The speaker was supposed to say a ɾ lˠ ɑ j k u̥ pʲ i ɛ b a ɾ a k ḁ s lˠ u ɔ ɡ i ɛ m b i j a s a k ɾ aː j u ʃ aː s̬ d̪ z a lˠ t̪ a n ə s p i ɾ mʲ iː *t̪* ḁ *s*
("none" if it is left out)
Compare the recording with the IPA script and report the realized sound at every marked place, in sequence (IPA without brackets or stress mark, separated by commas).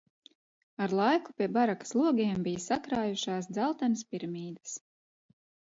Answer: d̪, s